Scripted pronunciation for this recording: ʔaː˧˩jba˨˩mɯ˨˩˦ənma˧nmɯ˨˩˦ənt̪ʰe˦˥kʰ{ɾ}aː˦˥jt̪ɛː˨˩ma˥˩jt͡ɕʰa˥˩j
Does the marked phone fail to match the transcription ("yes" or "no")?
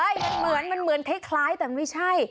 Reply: yes